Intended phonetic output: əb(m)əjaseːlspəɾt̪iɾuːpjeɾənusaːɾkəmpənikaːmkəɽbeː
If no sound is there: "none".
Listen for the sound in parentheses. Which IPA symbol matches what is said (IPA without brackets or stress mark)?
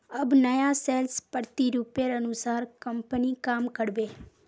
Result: n